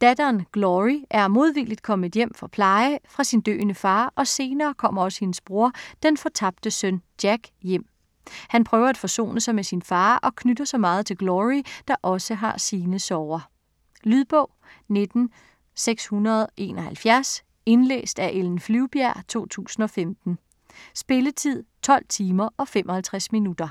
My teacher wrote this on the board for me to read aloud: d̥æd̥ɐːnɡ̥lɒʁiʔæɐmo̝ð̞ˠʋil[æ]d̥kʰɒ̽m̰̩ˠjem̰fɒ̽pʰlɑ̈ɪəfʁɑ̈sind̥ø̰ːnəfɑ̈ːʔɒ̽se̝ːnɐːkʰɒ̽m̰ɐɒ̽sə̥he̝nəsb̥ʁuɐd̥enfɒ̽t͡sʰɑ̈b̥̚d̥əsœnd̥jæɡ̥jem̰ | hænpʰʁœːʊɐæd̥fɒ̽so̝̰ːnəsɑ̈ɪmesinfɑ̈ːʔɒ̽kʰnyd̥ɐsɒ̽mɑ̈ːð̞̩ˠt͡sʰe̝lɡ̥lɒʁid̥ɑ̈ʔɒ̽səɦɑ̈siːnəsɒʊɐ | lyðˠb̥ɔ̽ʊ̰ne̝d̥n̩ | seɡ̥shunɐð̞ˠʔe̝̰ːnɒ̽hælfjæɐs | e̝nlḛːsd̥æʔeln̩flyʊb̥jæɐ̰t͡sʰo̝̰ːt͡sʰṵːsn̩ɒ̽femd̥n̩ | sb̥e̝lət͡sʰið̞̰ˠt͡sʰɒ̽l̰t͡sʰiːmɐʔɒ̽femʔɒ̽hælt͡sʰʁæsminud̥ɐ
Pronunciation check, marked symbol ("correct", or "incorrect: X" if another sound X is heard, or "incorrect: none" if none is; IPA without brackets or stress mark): incorrect: i